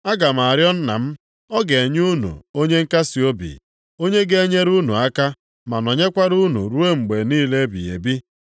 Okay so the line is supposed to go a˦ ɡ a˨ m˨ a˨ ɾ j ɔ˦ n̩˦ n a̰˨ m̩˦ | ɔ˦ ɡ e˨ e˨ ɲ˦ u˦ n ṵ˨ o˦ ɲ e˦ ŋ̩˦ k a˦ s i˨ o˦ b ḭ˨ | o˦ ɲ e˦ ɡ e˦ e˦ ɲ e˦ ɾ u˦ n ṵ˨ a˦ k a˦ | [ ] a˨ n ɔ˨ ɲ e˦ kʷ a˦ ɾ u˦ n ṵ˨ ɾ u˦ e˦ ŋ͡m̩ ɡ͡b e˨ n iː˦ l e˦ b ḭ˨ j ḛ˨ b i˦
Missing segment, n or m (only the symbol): m